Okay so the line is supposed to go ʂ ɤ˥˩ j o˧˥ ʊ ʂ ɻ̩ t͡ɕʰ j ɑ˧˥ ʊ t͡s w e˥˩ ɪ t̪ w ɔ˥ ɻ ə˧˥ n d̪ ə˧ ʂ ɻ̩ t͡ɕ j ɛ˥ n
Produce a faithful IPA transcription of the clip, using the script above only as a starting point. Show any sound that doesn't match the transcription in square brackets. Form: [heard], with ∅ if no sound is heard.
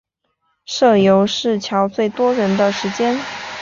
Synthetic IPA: ʂ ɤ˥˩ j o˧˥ ʊ ʂ ɻ̩ t͡ɕʰ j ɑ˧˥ ʊ t͡s w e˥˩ ɪ t̪ w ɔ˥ ɻ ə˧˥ n d̪ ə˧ ʂ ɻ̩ t͡ɕ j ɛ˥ n